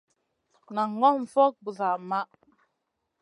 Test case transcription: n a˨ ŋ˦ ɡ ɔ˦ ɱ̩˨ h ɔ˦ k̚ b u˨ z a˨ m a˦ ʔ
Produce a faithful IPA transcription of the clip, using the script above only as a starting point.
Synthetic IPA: n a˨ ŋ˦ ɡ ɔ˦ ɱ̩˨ f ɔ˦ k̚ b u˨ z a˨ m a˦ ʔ